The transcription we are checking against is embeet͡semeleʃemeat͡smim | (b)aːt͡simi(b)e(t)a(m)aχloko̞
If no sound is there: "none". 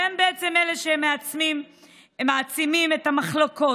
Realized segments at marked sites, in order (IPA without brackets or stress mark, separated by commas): m, m, t, m